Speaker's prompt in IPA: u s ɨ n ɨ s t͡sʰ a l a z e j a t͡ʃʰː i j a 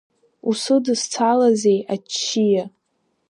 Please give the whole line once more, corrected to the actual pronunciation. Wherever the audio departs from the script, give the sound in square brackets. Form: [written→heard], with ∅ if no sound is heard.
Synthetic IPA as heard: u s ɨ [n→d] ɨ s t͡sʰ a l a z e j a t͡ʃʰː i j a

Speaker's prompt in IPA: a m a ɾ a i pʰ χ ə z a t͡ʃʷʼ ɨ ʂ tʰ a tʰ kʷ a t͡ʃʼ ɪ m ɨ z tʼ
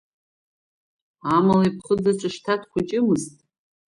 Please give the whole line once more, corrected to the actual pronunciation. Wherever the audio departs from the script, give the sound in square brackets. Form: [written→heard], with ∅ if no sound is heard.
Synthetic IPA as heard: a m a [ɾ→l] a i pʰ χ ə [z→d͡z] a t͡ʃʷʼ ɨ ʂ tʰ a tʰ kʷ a t͡ʃʼ ɪ m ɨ z tʼ

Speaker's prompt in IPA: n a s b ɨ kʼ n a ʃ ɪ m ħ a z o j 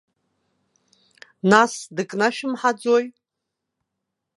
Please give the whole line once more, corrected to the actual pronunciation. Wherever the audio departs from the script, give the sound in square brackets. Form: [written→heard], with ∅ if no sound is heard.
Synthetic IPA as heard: n a s [b→d] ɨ kʼ n a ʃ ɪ m ħ a [z→d͡z] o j

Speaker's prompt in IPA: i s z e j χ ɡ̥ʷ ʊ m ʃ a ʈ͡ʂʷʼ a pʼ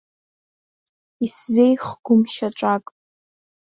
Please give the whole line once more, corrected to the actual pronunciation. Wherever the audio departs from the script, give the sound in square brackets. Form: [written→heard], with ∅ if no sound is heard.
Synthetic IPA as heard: i s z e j χ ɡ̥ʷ ʊ m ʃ a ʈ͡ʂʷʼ a [pʼ→kʼ]

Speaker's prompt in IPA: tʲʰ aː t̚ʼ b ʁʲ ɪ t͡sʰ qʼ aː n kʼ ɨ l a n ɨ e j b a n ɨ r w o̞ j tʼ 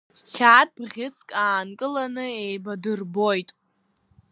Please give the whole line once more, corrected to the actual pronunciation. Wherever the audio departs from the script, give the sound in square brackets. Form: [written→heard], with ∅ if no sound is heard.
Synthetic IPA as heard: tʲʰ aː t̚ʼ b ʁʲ ɪ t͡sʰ [qʼ→kʼ] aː n kʼ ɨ l a n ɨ e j b a [n→d] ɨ r [w→b] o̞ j tʼ

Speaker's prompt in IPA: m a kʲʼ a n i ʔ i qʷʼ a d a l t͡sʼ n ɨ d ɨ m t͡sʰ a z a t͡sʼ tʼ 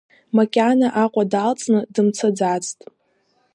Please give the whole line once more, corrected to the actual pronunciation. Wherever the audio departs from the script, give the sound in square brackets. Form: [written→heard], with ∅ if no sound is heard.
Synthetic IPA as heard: m a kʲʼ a n [i→a] ʔ [i→a] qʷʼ a d a l t͡sʼ n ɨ d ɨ m t͡sʰ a [z→d͡z] a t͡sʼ tʼ

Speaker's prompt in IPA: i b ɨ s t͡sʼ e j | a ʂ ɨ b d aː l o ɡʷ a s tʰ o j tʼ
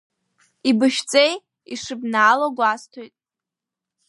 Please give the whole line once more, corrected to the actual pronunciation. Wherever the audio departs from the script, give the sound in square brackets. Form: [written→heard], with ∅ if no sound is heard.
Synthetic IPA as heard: i b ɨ [s→ʃ] t͡sʼ e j | [a→i] ʂ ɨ b [d→n] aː l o ɡʷ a s tʰ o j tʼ

